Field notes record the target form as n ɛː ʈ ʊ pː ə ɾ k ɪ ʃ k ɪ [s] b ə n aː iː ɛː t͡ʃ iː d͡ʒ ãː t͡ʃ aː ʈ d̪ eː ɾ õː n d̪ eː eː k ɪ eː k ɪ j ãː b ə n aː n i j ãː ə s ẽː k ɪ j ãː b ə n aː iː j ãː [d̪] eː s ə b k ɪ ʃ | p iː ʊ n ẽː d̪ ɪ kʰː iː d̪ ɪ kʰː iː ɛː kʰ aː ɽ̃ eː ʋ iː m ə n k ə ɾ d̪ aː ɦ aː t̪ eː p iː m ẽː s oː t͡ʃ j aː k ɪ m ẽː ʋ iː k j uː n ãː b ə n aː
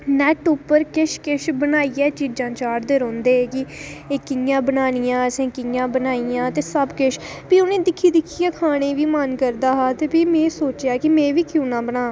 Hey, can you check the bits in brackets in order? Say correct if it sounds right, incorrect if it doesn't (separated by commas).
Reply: incorrect, incorrect